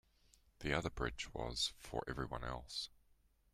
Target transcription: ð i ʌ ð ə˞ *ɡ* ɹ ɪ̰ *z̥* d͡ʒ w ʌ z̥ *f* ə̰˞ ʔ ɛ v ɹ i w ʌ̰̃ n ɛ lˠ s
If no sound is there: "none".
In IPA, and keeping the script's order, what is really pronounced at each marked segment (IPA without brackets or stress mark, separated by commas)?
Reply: b, none, f